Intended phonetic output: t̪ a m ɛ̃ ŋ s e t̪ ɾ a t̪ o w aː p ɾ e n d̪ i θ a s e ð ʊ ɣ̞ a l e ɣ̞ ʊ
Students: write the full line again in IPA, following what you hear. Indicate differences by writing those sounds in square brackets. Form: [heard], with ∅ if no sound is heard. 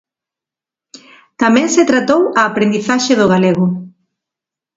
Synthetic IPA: t̪ a m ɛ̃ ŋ s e t̪ ɾ a t̪ o w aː p ɾ e n d̪ i θ a [ʃ] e ð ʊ ɣ̞ a l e ɣ̞ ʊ